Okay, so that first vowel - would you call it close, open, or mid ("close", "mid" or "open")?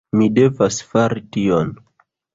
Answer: close